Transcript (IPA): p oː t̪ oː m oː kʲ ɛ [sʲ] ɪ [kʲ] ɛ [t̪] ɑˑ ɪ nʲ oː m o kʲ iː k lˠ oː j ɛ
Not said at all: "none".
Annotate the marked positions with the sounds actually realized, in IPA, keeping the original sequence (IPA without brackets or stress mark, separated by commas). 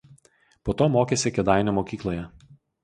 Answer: sʲ, kʲ, d̪